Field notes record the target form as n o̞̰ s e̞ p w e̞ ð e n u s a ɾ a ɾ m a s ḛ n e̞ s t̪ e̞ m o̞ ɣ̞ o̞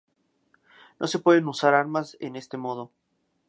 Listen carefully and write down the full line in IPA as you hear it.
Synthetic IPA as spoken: n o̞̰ s e̞ p w e̞ ð e n u s a ɾ a ɾ m a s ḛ n e̞ s t̪ e̞ m o̞ ð̞ o̞